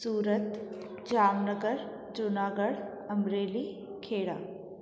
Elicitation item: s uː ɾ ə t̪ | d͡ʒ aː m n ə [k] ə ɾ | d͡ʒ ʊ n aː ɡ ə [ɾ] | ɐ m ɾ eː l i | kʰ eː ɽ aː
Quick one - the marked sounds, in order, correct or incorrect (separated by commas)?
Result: incorrect, incorrect